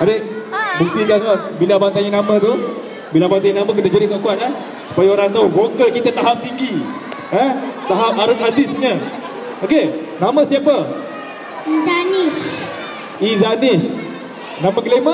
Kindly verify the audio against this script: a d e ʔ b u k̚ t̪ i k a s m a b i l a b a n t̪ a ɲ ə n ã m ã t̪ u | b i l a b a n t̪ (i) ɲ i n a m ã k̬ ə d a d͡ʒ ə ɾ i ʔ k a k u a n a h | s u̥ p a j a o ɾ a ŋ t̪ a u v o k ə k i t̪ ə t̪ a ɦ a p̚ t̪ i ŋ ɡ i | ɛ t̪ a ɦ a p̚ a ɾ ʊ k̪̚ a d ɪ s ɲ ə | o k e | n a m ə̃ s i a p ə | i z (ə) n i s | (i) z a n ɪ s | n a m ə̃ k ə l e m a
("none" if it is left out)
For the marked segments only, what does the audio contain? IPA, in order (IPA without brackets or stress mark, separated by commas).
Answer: a, a, i